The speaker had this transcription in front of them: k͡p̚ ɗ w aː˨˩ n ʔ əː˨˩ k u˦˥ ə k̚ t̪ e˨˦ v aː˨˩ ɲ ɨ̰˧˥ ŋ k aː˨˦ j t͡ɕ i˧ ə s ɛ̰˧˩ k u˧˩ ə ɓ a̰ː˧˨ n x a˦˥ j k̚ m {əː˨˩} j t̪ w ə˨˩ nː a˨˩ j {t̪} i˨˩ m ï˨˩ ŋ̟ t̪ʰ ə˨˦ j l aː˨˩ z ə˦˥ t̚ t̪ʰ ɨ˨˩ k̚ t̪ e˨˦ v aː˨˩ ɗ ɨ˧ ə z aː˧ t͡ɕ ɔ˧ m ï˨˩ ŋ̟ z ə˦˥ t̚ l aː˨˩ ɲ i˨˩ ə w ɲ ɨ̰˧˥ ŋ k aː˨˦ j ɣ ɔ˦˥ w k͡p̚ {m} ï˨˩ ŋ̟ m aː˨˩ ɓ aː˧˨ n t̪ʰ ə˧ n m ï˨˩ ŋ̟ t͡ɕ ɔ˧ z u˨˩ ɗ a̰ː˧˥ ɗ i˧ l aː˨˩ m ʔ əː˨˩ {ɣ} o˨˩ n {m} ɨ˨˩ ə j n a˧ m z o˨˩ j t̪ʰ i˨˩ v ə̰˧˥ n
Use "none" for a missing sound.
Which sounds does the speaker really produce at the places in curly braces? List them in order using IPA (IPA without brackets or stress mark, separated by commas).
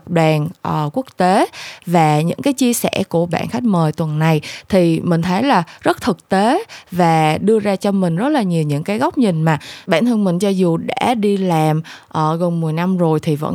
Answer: əː˨˩, t̪ʰ, ɲ, ɣ, m